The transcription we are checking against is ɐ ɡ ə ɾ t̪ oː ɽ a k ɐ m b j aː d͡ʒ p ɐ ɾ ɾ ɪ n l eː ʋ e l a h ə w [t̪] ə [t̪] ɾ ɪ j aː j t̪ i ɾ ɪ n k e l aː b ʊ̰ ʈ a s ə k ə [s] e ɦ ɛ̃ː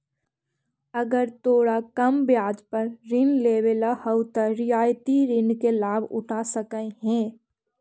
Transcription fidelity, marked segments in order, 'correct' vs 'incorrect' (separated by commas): correct, incorrect, incorrect